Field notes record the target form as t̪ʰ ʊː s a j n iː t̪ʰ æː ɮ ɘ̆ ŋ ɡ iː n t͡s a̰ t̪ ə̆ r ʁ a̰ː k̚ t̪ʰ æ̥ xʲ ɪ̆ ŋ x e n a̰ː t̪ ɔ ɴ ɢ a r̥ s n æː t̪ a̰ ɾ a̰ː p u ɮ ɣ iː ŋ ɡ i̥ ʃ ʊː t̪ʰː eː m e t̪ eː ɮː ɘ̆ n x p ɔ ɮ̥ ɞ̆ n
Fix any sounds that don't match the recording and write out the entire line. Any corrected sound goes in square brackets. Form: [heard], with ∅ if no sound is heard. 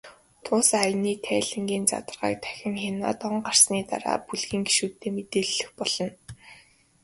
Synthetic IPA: t̪ʰ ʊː s a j n iː t̪ʰ æː ɮ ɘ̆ ŋ ɡ iː n t͡s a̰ t̪ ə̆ r ʁ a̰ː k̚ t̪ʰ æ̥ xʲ ɪ̆ ŋ x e n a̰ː t̪ ɔ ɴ ɢ a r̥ s n [iː] t̪ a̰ ɾ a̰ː p u ɮ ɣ iː ŋ ɡ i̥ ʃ [uː] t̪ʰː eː m e t̪ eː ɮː ɘ̆ [∅] x p ɔ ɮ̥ ɞ̆ n